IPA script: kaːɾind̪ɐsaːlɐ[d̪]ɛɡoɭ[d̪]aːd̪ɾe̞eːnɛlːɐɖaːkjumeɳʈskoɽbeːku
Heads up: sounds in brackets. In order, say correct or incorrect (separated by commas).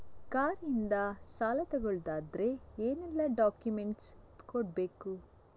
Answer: incorrect, correct